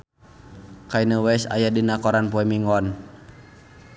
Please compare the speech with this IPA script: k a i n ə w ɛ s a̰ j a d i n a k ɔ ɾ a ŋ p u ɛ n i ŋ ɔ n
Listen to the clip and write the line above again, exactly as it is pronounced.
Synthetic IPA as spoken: k a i n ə w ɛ s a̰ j a d i n a k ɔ ɾ a n p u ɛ m i ŋ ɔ n

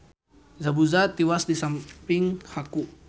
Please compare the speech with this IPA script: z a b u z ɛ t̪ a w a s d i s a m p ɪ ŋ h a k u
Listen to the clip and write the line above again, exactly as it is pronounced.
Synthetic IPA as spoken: z a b u z a t̪ i w a s d i s a m p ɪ ŋ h a k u

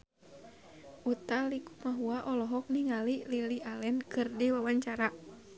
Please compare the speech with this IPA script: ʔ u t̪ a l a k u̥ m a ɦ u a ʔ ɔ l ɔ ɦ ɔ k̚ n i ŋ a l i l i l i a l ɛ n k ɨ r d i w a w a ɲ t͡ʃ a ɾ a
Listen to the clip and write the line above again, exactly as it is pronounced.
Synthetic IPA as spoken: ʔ u t̪ a l i k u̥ m a ɦ u a ʔ ɔ l ɔ ɦ ɔ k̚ n i ŋ a l i l i l i a l ɛ n k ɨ r d i w a w a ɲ t͡ʃ a ɾ a

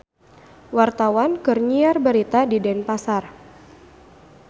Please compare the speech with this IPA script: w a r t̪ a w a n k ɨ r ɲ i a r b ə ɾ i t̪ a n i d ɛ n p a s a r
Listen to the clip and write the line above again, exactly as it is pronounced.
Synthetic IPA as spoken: w a r t̪ a w a n k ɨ r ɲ i a r b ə ɾ i t̪ a d i d ɛ n p a s a r

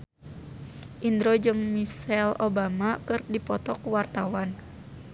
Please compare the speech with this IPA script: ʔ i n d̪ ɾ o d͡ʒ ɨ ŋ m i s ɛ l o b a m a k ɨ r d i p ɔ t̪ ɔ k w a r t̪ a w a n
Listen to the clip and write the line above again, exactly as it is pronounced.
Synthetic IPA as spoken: ʔ i n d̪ ɾ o d͡ʒ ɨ ŋ m i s ɛ l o b a m a k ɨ r d i p ɔ t̪ ɔ k w a r t̪ a w a n

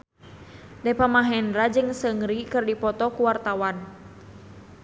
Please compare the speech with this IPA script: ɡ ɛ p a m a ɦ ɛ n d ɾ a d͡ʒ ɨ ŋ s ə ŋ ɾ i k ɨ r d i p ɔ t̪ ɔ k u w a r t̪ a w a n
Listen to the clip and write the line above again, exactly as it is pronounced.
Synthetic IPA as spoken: d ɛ p a m a ɦ ɛ n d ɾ a d͡ʒ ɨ ŋ s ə ŋ ɾ i k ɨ r d i p ɔ t̪ ɔ k u w a r t̪ a w a n

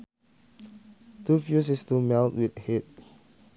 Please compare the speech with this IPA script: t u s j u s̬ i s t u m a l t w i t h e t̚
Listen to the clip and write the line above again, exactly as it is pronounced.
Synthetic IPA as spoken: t u f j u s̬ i s t u m ɛ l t w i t h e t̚

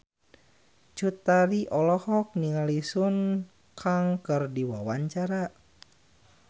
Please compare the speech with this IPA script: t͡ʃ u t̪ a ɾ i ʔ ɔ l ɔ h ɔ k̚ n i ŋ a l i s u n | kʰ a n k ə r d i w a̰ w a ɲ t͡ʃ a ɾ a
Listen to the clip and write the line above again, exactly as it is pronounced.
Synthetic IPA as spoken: t͡ʃ u t̪ a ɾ i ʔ ɔ l ɔ h ɔ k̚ n i ŋ a l i s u n | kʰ a ŋ k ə r d i w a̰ w a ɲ t͡ʃ a ɾ a

